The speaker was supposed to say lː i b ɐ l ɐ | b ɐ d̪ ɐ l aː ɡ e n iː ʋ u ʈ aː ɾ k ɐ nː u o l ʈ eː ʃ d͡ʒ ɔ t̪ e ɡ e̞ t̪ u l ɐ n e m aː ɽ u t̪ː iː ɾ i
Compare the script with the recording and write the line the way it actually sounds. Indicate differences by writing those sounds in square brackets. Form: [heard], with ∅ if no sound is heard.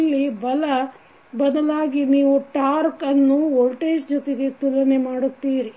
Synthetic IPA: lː i b ɐ l ɐ | b ɐ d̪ ɐ l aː ɡ [i] n iː ʋ u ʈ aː ɾ k ɐ nː u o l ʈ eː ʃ d͡ʒ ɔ t̪ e ɡ e̞ t̪ u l ɐ n e m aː ɽ u t̪ː iː ɾ i